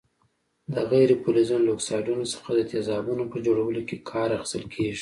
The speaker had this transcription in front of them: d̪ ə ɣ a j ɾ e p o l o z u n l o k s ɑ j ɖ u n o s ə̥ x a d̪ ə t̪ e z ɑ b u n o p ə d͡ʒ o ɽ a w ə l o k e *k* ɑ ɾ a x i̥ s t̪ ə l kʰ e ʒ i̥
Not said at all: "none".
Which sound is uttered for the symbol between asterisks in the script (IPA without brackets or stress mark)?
kʰ